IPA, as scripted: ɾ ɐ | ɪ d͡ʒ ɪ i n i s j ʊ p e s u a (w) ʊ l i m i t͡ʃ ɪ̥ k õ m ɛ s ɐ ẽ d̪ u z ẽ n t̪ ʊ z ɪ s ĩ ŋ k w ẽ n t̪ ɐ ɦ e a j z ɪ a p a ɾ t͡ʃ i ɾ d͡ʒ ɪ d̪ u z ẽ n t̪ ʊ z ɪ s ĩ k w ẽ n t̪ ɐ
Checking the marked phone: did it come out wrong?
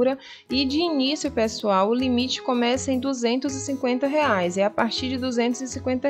no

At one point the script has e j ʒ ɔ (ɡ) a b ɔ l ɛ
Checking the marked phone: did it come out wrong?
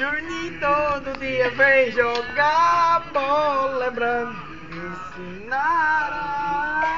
no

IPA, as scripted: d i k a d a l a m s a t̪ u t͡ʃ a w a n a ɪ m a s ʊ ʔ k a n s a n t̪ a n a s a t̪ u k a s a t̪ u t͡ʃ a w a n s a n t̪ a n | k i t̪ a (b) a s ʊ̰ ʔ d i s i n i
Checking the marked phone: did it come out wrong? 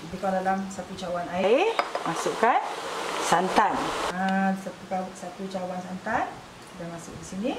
yes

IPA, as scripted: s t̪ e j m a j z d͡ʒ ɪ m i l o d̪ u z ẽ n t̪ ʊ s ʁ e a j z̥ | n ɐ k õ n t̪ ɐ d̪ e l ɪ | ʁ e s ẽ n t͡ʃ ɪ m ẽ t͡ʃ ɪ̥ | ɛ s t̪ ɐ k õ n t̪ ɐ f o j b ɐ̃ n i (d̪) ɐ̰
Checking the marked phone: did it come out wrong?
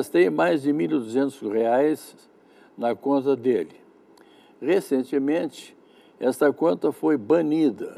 no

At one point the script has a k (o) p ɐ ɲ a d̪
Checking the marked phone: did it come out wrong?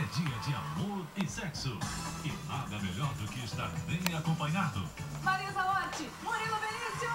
yes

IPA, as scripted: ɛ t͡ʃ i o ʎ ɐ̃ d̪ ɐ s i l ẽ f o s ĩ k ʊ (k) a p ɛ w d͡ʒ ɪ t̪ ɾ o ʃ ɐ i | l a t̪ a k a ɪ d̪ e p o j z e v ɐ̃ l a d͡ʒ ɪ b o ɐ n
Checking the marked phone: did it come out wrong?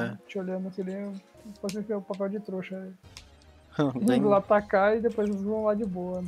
yes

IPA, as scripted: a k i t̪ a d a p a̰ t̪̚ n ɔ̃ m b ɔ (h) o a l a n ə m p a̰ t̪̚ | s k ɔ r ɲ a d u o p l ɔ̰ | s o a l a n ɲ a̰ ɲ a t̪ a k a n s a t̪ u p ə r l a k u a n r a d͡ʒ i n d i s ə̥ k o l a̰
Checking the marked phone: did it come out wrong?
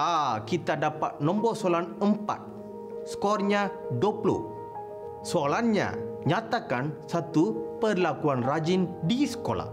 yes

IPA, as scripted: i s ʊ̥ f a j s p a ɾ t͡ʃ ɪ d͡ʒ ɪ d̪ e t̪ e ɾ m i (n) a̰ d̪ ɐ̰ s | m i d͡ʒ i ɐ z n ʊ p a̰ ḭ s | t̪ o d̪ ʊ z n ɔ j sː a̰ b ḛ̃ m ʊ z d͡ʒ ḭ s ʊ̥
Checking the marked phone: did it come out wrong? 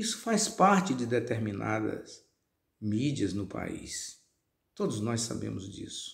no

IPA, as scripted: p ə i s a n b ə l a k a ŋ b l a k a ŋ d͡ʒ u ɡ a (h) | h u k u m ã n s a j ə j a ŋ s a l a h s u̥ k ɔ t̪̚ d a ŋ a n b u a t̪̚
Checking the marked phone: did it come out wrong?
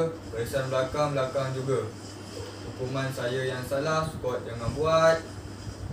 yes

